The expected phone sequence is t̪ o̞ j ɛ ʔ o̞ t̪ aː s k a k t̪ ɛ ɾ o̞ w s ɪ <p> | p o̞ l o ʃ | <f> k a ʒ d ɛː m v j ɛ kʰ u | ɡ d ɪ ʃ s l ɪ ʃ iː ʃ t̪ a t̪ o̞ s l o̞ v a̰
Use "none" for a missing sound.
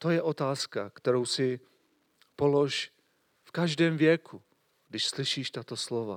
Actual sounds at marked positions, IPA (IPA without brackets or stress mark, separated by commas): none, f